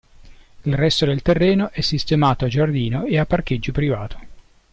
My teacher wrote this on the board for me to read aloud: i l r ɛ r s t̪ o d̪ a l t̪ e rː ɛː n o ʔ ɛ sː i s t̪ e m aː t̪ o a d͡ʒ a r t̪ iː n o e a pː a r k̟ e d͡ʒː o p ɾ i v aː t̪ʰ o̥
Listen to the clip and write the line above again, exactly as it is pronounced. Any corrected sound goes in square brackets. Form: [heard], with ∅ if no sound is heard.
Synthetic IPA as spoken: i l r ɛ [∅] s t̪ o d̪ [e] l t̪ e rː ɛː n o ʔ ɛ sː i s t̪ e m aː t̪ o a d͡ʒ a r [d̪] iː n o e a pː a r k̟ e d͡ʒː o p ɾ i v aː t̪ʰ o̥